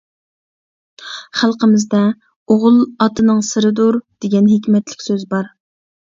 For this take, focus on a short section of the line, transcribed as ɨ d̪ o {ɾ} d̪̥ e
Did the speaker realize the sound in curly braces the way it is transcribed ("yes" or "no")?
yes